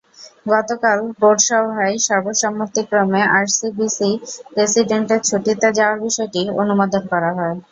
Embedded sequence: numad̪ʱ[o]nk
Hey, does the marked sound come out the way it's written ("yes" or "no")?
yes